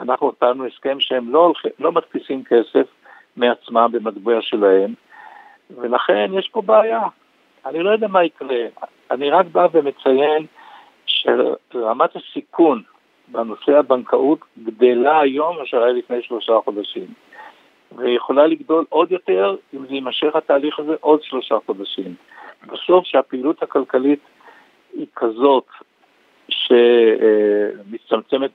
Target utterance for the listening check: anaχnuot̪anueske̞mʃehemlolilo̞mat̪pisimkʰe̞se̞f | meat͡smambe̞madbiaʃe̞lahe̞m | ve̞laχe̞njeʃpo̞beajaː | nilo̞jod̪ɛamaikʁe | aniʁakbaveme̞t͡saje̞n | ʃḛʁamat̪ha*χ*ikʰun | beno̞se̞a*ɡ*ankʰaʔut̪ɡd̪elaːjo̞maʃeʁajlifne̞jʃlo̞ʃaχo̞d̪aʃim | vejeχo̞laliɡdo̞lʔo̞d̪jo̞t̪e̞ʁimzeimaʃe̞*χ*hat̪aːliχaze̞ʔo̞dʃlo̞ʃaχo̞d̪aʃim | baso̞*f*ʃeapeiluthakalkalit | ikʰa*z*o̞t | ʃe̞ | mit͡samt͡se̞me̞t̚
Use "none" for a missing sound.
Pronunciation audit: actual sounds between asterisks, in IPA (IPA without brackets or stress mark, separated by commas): s, b, χ, f, z